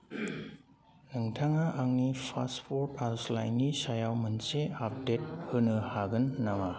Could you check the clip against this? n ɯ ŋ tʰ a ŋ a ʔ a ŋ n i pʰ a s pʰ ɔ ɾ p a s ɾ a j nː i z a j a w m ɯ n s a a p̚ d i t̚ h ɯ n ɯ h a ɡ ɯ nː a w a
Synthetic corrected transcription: n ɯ ŋ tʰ a ŋ a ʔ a ŋ n i pʰ a s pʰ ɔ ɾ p a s l a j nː i s a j a w m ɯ n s e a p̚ d e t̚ h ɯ n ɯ h a ɡ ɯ nː a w a